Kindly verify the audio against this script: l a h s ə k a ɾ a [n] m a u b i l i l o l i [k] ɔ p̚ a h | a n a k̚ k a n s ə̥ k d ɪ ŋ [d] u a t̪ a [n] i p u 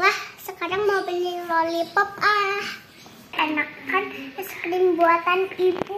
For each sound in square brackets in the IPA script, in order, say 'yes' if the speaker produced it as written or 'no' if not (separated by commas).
no, no, no, yes